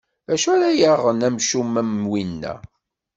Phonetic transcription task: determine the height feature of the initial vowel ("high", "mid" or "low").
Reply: low